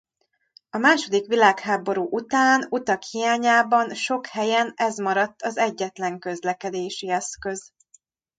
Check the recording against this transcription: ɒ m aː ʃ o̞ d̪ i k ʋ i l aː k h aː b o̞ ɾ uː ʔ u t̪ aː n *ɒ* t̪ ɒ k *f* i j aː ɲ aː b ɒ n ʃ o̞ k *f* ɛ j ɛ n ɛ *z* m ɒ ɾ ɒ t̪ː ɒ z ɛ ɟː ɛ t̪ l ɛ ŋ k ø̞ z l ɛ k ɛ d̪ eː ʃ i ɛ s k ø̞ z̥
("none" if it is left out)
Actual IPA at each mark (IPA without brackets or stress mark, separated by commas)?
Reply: u, h, h, z